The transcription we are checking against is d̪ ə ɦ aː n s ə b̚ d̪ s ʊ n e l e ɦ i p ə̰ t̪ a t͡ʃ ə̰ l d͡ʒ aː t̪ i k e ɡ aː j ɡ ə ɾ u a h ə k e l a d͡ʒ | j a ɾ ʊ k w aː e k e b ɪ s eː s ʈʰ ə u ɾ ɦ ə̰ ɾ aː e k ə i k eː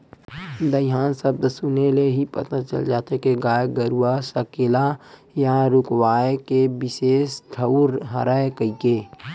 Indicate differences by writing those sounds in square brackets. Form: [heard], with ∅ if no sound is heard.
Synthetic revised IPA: d̪ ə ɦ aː n s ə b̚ d̪ s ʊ n e l e ɦ i p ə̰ t̪ a t͡ʃ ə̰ l d͡ʒ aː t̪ [e] k e ɡ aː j ɡ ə ɾ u a [s] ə k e l a [∅] | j a ɾ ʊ k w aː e k e b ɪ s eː s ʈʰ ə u ɾ ɦ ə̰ ɾ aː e k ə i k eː